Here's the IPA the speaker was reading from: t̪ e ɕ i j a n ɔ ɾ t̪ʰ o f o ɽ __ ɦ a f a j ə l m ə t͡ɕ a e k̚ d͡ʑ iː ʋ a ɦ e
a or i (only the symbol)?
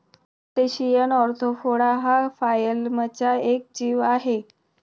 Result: a